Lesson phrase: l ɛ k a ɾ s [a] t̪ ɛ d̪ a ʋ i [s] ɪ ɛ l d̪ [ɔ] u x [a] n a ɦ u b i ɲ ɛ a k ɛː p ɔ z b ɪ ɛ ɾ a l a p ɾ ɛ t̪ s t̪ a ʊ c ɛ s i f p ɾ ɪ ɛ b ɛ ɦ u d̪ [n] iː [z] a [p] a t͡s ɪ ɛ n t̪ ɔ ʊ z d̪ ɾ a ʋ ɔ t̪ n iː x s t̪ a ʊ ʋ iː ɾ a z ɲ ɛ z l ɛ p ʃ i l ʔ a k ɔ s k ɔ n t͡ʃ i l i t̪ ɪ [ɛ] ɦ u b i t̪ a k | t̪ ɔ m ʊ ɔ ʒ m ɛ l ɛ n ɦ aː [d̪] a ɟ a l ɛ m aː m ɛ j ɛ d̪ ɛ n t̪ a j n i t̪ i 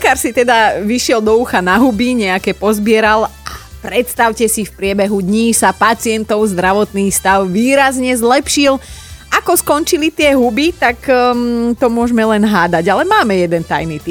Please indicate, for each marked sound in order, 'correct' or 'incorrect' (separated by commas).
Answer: incorrect, incorrect, correct, correct, incorrect, incorrect, correct, correct, correct